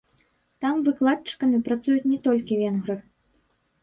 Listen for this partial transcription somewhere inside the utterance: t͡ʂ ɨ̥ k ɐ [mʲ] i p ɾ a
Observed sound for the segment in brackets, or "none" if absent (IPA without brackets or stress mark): mʲ